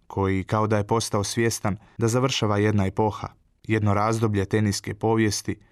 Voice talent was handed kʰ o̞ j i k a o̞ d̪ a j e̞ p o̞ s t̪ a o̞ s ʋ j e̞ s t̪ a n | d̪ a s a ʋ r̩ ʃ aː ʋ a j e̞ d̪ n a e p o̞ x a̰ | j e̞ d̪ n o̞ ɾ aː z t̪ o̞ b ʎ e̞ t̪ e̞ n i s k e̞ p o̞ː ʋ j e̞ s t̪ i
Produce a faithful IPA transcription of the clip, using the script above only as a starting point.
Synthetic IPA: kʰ o̞ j i k a o̞ d̪ a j e̞ p o̞ s t̪ a o̞ s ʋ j e̞ s t̪ a n | d̪ a z a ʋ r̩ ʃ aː ʋ a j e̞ d̪ n a e p o̞ x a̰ | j e̞ d̪ n o̞ ɾ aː z d̪ o̞ b ʎ e̞ t̪ e̞ n i s k e̞ p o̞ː ʋ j e̞ s t̪ i